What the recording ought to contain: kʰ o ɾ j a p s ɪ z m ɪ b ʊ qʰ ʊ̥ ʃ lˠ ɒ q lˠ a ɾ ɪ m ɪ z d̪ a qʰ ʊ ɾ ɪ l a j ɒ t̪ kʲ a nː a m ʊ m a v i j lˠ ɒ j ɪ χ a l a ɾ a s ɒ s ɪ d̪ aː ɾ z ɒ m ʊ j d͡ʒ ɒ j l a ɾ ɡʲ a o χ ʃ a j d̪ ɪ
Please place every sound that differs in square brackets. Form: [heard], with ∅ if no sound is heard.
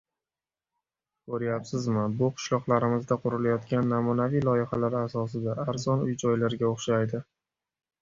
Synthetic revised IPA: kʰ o ɾ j a p s ɪ z m ɪ b ʊ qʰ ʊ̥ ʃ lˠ ɒ q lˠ a ɾ ɪ m ɪ z d̪ a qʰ ʊ ɾ ɪ l a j ɒ t̪ kʲ a nː a m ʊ [n] a v i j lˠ ɒ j ɪ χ a l a ɾ a s ɒ s ɪ d̪ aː ɾ z ɒ [n] ʊ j d͡ʒ ɒ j l a ɾ ɡʲ a o χ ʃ a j d̪ ɪ